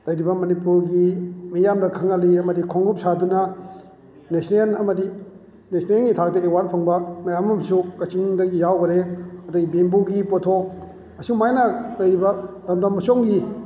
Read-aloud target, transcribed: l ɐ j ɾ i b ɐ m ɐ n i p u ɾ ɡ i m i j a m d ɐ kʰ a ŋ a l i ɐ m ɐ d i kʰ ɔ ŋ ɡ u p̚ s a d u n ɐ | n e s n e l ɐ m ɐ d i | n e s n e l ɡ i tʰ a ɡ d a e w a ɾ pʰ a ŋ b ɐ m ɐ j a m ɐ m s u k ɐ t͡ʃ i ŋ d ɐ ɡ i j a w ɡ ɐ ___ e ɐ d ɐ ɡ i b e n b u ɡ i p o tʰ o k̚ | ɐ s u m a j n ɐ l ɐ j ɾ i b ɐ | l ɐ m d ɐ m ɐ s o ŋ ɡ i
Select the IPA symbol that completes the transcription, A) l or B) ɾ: B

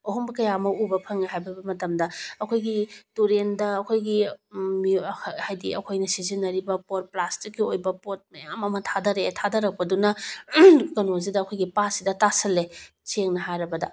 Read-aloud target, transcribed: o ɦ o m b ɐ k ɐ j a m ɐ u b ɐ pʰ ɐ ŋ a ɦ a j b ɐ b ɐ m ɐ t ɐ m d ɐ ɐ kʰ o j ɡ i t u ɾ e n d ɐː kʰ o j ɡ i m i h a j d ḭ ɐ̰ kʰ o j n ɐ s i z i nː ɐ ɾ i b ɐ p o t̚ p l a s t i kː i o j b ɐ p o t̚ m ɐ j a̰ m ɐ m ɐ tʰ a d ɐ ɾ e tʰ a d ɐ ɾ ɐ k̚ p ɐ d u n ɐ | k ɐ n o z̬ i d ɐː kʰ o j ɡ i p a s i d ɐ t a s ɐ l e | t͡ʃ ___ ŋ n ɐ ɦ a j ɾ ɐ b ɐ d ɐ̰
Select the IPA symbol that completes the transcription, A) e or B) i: A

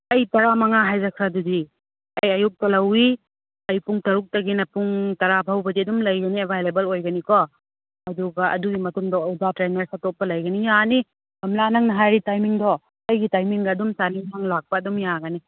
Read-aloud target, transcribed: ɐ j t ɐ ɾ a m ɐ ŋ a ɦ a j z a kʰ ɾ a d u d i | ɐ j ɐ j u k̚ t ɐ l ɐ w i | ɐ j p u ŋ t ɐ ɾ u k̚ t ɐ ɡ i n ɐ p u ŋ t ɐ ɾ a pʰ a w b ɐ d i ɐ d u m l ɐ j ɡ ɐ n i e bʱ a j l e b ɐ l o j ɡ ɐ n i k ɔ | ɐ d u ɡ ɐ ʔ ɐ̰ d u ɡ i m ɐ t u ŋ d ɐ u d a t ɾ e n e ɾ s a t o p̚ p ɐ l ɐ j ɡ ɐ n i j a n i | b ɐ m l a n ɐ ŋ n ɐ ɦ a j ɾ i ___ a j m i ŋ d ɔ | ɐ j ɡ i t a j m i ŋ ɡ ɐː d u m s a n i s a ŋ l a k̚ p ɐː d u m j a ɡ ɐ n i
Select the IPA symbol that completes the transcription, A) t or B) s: A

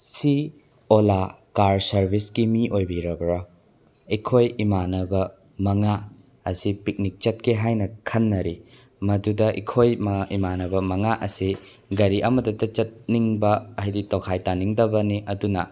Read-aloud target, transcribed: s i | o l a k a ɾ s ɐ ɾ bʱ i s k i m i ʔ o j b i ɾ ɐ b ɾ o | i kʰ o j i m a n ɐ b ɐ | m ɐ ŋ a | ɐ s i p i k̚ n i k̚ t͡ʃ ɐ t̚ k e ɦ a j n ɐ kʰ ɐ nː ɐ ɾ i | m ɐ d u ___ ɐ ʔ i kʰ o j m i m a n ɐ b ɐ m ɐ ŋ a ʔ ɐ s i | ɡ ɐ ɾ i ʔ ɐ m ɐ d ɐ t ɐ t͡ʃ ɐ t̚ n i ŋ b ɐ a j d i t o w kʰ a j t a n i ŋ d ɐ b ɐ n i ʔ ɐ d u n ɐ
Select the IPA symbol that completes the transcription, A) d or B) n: A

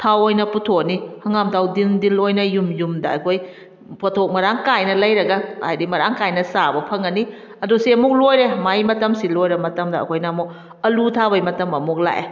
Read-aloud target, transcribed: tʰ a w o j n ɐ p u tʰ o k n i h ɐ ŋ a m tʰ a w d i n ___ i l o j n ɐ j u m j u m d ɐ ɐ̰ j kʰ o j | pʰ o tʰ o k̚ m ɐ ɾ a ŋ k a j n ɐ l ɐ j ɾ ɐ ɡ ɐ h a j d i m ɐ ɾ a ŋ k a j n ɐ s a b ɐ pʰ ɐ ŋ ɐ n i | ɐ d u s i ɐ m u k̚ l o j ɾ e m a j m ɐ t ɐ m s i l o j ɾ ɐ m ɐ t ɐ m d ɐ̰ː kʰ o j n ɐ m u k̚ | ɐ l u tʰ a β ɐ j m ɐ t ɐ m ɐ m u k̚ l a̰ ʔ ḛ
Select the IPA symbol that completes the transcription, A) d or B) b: A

